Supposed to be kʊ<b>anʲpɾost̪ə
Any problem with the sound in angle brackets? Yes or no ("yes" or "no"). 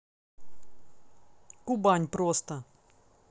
no